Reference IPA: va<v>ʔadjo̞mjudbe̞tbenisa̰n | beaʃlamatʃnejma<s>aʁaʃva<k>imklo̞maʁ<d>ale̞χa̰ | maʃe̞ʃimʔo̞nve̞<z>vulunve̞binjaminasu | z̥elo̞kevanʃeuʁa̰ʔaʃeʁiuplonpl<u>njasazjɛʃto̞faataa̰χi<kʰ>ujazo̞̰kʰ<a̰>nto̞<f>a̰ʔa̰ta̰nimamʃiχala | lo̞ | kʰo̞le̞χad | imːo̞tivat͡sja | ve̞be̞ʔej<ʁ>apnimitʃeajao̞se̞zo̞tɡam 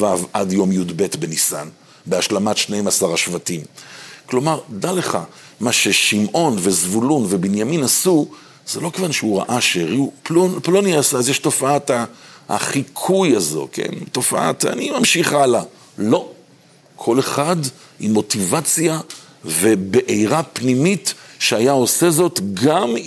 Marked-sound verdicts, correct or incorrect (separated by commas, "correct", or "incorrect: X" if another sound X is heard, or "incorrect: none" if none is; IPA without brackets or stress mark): correct, correct, incorrect: t, correct, correct, incorrect: o, correct, incorrect: ḛ, correct, correct